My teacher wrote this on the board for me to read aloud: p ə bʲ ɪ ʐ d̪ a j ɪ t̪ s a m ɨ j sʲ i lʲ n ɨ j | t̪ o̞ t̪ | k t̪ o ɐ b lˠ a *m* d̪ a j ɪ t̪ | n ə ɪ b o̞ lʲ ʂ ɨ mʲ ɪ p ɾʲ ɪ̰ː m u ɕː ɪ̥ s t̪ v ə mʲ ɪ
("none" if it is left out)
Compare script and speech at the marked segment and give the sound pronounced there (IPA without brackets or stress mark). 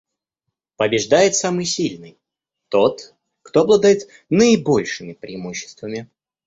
none